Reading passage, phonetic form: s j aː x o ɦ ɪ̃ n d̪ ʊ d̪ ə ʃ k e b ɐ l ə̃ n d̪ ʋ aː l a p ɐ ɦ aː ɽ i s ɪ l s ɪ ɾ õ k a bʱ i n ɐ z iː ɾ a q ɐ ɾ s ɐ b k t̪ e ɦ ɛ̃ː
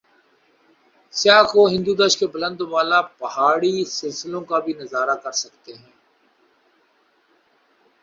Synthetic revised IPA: s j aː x o ɦ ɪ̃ n d̪ u d̪ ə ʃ k e b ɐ l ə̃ n d̪ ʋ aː l a p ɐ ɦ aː ɽ i s ɪ l s ɪ l õ k a bʱ i n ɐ z aː ɾ a k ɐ ɾ s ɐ k t̪ e ɦ ɛ̃ː